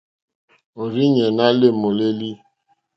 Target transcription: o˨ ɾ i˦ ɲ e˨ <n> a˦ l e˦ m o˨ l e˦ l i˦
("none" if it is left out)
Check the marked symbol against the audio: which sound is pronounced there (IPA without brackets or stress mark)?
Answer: n